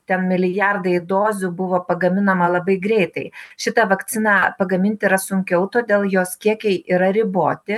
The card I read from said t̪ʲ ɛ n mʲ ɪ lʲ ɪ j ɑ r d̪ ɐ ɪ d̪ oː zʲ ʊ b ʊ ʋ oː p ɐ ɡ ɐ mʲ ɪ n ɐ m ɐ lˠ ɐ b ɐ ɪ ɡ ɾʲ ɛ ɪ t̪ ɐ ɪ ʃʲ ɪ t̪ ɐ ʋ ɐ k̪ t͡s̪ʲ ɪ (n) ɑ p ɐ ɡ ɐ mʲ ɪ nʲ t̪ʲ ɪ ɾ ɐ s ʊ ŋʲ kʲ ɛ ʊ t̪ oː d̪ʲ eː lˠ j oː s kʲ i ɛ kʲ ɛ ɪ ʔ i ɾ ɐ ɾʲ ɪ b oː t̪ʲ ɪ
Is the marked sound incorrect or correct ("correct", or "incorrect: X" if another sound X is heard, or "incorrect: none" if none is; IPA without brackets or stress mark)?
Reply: correct